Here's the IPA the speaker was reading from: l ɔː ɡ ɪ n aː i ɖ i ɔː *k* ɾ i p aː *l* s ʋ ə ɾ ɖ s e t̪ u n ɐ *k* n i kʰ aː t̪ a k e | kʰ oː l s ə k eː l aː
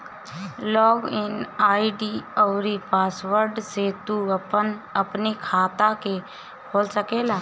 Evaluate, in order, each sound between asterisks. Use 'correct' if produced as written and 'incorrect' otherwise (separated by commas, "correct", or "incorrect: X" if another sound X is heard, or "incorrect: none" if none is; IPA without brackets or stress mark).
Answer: incorrect: none, incorrect: none, incorrect: p